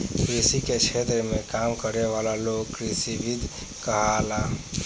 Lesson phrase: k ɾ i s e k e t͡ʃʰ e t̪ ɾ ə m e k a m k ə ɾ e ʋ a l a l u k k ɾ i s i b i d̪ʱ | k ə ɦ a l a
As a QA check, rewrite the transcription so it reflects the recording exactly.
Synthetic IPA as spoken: k ɾ i s i k e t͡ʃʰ e t̪ ɾ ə m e k a m k ə ɾ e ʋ a l a l o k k ɾ i s i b i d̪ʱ | k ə ɦ a l a